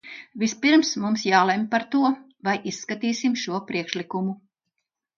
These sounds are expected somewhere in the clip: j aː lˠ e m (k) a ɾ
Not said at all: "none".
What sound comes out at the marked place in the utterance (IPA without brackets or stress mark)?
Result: p